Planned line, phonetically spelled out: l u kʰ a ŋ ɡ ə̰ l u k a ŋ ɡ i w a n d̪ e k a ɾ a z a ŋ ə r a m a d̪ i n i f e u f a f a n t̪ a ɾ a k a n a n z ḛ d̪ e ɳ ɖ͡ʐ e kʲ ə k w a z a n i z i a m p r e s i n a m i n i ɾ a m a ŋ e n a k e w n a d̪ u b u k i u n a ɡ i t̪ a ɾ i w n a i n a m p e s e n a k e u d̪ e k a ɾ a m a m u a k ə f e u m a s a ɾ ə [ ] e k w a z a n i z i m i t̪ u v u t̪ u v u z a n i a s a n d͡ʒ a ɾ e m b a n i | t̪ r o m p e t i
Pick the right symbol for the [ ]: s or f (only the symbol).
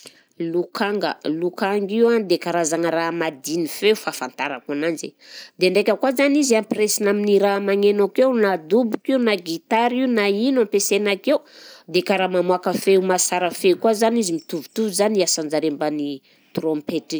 f